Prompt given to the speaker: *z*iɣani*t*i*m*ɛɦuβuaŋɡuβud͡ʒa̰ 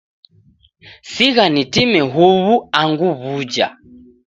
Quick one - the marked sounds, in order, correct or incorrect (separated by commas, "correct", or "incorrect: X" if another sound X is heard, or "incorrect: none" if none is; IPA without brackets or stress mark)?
incorrect: s, correct, correct